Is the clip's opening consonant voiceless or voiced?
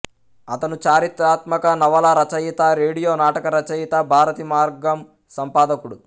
voiceless